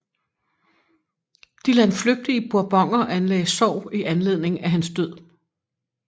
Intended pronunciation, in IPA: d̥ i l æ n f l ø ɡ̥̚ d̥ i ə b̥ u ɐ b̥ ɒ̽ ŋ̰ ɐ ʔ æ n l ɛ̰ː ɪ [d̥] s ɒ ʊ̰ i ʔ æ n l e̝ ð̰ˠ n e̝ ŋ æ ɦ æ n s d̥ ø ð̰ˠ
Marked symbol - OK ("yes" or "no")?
no